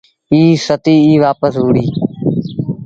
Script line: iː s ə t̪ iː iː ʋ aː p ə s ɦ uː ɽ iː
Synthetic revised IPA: iː s ə t̪ iː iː ʋ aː p ə s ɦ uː ɽ iː